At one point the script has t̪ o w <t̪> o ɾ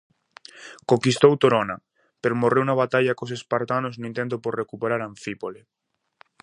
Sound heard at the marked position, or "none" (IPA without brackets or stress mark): t̪